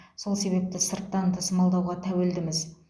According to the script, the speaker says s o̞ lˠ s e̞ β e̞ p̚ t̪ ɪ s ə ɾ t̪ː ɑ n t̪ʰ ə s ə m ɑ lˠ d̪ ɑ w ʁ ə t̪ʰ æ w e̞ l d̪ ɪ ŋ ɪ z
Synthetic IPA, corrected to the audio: s o̞ lˠ s e̞ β e̞ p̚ t̪ ɪ s ə ɾ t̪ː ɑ n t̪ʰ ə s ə m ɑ lˠ d̪ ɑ w ʁ ɑ t̪ʰ æ w e̞ l d̪ ɪ m ɪ z